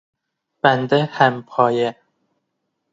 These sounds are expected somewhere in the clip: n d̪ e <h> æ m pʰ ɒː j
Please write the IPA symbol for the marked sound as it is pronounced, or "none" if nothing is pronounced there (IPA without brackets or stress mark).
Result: h